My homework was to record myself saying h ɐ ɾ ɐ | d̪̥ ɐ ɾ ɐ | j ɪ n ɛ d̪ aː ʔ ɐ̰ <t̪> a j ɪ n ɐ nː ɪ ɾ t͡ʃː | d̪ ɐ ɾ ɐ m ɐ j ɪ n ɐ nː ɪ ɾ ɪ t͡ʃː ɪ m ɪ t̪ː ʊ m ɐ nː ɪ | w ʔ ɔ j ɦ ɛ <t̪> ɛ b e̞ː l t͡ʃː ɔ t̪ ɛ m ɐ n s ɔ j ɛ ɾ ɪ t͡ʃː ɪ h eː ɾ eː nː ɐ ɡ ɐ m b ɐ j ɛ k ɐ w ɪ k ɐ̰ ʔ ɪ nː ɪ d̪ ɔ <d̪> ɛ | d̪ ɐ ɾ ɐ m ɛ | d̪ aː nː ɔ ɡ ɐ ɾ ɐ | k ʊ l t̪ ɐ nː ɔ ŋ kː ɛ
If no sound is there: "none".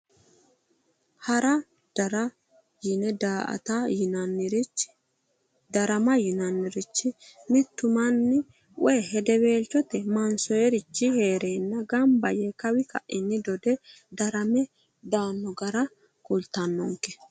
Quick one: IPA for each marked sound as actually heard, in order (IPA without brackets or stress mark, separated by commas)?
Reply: t̪, d̪, d̪